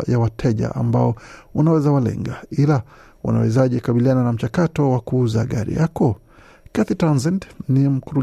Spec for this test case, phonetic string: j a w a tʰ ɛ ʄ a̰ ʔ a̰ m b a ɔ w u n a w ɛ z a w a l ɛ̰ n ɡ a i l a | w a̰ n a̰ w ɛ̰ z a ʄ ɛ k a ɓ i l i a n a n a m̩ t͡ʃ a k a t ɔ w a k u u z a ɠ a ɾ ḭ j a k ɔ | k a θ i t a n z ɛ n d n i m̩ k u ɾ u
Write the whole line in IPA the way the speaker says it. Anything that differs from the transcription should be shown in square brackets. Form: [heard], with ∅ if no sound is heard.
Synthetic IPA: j a w a tʰ ɛ ʄ a̰ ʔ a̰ m b a ɔ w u n a w ɛ z a w a l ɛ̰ [ŋ] ɡ a i l a | w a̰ n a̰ w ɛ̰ z a ʄ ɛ k a ɓ i l i a n a n a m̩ t͡ʃ a k a t ɔ w a k u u z a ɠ a ɾ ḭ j a k ɔ | k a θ i t a n z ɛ n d n i m̩ k u ɾ u